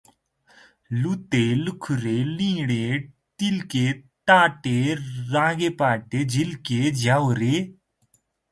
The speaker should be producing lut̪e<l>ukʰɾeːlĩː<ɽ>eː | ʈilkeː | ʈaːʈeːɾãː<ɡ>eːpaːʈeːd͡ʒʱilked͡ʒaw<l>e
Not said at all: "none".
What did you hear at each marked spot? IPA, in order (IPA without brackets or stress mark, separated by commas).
l, ɽ, ɡ, ɾ